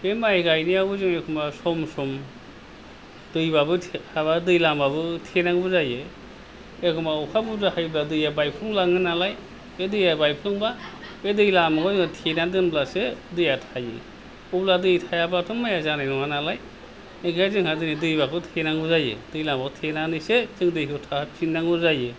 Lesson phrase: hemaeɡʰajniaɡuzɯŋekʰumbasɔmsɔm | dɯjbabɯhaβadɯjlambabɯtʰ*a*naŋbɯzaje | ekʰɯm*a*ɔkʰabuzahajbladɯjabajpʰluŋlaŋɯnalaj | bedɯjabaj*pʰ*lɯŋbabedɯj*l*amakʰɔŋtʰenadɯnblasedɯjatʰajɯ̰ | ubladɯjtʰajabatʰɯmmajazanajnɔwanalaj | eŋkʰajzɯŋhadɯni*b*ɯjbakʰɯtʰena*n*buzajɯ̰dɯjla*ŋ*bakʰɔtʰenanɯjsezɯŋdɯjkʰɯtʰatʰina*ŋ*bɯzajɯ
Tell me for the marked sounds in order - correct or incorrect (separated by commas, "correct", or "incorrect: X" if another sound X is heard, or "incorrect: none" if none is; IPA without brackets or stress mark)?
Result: incorrect: e, correct, correct, correct, incorrect: d, incorrect: ŋ, incorrect: m, correct